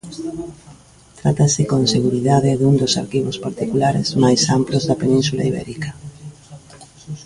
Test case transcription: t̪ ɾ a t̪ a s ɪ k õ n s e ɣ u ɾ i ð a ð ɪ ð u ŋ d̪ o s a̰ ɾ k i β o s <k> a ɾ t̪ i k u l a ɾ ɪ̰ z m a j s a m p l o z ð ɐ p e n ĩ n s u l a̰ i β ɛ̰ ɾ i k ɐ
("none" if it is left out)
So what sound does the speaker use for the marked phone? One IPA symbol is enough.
p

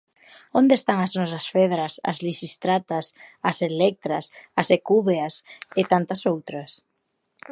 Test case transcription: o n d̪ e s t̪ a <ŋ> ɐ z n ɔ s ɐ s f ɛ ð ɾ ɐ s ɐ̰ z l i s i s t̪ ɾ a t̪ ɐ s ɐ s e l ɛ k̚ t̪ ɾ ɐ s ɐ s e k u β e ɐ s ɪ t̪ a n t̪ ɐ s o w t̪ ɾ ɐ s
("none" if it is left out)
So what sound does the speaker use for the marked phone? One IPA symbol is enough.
ŋ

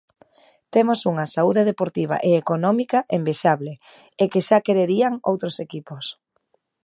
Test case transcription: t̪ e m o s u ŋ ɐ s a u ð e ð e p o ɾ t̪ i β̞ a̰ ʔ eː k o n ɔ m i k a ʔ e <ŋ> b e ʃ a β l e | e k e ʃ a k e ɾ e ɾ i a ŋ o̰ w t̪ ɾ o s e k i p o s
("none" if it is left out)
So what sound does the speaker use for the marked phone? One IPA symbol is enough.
m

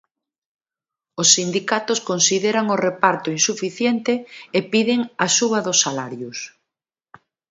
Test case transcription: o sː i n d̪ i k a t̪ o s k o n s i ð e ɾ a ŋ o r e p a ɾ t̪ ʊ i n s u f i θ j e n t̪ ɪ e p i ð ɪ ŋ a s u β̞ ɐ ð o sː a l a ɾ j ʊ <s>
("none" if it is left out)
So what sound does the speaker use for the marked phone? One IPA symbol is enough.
s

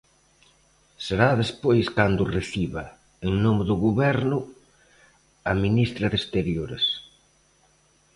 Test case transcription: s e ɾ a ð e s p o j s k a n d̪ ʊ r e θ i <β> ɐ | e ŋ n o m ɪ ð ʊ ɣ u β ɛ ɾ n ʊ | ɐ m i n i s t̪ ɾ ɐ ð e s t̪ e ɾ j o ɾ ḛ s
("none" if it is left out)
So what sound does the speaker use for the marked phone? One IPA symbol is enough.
β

